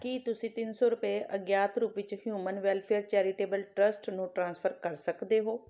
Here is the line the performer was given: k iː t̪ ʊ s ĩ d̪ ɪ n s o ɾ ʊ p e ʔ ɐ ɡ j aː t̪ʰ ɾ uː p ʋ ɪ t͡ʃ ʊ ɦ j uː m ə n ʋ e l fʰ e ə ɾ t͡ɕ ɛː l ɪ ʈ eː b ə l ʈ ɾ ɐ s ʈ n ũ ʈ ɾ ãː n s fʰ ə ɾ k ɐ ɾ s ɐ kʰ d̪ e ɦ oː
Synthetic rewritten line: k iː t̪ ʊ s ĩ t̪ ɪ n s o ɾ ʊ p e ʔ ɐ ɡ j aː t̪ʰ ɾ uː p ʋ ɪ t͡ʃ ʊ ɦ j uː m ə n ʋ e l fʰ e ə ɾ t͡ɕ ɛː ɾ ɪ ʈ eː b ə l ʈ ɾ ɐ s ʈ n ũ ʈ ɾ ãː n s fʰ ə ɾ k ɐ ɾ s ɐ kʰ d̪ e ɦ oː